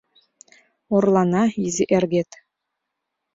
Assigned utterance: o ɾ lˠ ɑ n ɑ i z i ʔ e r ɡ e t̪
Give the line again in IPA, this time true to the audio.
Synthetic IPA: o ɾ lˠ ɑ n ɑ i z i ʔ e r ɡ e t̪

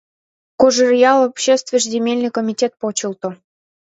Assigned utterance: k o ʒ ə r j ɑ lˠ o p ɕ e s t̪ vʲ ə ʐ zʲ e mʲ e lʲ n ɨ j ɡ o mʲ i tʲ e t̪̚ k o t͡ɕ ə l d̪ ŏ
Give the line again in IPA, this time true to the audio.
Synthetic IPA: k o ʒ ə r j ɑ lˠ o p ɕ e s t̪ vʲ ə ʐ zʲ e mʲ e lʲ n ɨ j k o mʲ i tʲ e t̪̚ p o t͡ɕ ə l t̪ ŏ

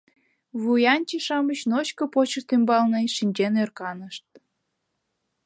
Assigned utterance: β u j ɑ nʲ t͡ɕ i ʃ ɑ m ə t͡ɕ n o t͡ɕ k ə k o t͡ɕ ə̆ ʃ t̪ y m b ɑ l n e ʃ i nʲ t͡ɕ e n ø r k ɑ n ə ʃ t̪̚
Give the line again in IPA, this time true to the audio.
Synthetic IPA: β u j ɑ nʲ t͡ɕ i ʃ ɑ m ə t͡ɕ n o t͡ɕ k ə p o t͡ɕ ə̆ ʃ t̪ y m b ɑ l n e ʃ i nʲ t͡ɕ e n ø r k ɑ n ə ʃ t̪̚

